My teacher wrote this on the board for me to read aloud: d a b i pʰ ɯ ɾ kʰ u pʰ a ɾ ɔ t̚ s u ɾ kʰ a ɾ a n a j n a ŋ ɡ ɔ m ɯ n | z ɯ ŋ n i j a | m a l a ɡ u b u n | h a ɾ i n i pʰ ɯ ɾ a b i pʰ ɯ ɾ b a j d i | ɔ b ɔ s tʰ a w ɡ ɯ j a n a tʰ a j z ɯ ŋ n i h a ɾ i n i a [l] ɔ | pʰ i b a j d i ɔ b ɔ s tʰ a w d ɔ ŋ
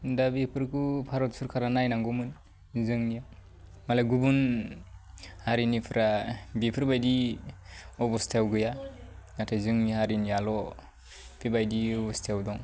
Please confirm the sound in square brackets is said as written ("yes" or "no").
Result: yes